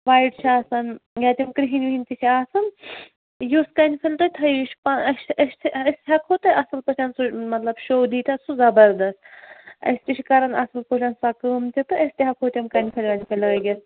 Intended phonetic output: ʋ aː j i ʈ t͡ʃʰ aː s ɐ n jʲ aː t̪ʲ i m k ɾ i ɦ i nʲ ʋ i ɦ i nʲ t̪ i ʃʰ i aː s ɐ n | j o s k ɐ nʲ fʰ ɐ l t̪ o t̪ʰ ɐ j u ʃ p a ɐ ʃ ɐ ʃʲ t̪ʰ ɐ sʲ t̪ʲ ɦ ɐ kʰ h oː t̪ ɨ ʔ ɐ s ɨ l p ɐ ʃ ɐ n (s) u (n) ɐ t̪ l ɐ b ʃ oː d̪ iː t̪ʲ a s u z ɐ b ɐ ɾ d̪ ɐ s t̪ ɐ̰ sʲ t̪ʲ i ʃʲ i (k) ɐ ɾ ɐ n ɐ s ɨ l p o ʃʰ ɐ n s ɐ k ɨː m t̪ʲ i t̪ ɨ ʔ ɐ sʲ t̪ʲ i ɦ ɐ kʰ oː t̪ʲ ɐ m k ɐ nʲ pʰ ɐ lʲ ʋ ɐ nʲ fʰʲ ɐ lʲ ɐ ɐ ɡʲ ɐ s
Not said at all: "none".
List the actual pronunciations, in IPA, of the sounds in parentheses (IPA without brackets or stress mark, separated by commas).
s, m, k